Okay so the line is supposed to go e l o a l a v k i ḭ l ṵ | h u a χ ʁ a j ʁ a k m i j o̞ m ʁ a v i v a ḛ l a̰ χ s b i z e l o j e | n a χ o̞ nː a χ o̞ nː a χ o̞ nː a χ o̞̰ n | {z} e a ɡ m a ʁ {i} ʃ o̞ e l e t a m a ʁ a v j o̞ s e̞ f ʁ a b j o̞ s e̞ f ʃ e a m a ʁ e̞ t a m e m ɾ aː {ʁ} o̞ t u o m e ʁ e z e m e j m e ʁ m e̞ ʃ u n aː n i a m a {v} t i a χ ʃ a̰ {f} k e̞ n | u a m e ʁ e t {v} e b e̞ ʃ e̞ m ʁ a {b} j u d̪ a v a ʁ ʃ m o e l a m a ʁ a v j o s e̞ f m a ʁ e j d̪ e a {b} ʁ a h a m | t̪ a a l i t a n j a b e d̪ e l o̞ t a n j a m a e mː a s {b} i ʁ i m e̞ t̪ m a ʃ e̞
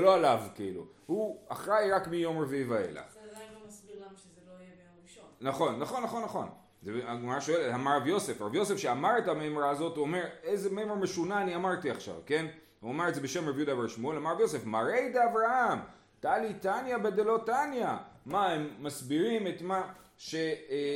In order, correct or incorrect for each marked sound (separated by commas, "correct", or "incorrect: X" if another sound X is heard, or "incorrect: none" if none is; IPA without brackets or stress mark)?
correct, incorrect: a, incorrect: z, incorrect: ʁ, incorrect: v, incorrect: z, incorrect: v, incorrect: v, correct